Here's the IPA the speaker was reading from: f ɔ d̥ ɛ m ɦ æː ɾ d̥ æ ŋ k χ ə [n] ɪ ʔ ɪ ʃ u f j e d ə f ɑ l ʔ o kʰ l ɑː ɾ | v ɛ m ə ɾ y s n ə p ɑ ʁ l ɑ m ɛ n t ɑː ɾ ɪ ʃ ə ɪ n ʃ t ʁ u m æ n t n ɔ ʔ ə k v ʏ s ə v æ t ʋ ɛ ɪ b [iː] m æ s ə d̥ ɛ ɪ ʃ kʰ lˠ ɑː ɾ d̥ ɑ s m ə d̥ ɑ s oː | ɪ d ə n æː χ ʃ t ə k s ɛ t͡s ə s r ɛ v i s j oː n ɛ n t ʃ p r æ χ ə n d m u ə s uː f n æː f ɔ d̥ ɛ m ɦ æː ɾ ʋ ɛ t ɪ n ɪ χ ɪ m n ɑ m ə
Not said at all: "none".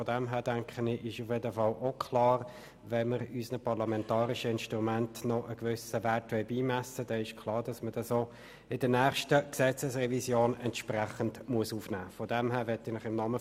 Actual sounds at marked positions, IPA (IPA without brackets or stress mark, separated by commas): n, iː